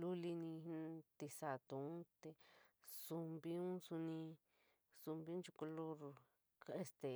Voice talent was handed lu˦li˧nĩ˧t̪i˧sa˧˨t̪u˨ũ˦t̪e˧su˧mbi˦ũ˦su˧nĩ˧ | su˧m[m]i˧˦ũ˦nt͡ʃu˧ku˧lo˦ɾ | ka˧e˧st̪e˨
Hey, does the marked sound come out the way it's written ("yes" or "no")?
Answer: no